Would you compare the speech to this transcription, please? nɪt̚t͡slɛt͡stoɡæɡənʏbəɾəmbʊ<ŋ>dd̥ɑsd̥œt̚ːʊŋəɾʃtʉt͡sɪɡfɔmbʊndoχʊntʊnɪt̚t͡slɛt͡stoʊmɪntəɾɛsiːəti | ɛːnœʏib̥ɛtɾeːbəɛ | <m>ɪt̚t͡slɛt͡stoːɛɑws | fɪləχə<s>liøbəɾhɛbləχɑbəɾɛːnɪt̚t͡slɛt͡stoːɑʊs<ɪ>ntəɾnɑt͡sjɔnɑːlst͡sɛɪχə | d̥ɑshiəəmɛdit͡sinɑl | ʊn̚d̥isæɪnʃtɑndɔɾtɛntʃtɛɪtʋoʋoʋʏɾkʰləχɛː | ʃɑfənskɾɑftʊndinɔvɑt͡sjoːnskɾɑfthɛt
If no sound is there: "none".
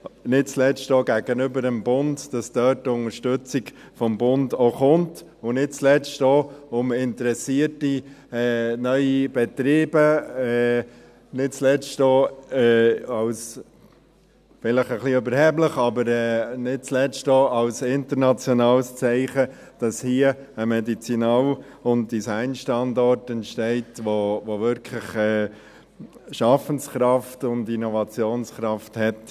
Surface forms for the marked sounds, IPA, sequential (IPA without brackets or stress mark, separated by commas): n, n, χ, ɪ